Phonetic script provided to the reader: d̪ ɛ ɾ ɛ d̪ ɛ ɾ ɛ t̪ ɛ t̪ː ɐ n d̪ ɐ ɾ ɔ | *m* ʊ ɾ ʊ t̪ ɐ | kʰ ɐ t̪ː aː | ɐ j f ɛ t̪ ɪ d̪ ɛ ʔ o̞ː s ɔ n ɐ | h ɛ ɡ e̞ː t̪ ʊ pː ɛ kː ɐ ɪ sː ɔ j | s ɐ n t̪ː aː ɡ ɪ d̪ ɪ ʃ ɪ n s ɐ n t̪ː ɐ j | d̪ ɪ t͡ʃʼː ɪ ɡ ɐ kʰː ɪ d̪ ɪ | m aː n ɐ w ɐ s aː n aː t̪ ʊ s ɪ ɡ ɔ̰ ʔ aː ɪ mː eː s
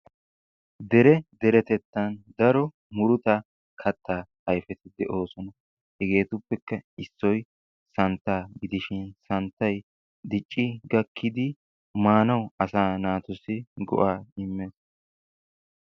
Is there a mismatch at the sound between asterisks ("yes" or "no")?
no